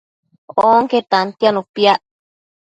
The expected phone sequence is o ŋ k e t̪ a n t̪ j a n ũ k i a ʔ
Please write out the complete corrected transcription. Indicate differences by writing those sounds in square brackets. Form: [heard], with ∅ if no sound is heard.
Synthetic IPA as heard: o ŋ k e t̪ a n t̪ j a n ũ [p] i a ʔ